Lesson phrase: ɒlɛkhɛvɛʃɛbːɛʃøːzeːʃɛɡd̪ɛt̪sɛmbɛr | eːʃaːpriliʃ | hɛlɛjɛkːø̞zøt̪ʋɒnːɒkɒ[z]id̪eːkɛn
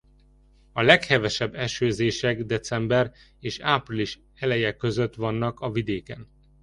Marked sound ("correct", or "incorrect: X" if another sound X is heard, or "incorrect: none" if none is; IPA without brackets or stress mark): incorrect: v